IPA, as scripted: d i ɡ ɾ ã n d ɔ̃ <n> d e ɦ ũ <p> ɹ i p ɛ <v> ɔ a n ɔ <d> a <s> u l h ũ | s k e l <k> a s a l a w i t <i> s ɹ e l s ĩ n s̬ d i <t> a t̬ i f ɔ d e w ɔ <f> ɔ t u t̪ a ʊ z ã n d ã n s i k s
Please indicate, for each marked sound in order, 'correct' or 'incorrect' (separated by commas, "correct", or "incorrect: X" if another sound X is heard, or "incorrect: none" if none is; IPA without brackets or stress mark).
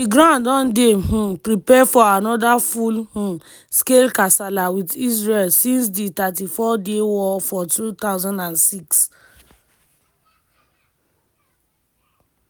correct, correct, incorrect: f, correct, incorrect: f, correct, correct, correct, correct